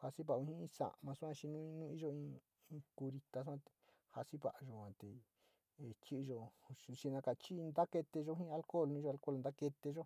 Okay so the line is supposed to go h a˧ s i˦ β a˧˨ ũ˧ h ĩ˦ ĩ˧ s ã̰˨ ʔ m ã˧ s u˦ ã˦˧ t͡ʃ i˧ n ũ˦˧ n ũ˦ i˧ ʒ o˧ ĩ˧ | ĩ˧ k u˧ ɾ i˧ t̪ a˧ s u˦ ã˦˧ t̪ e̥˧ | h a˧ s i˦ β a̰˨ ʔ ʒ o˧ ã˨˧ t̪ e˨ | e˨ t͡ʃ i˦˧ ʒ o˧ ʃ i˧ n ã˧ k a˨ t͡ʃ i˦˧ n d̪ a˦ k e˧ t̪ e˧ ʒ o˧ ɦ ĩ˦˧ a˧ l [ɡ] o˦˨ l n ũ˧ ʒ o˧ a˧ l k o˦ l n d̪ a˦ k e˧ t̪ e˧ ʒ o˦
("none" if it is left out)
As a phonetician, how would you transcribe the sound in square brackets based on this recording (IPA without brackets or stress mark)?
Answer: k